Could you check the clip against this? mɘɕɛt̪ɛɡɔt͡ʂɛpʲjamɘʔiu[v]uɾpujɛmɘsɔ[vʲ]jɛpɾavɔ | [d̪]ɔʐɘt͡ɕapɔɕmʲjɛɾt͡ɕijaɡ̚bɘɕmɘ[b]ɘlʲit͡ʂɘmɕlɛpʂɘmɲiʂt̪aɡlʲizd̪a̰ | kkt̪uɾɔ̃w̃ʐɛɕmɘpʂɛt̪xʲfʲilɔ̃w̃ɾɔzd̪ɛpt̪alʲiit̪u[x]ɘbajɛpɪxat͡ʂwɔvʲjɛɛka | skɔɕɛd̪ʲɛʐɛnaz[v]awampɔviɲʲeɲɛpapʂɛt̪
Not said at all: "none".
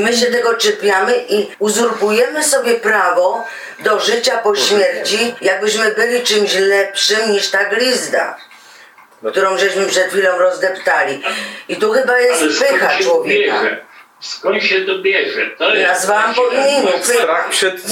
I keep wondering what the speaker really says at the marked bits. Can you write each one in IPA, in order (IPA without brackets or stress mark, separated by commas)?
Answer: z, bʲ, d̪, b, x, v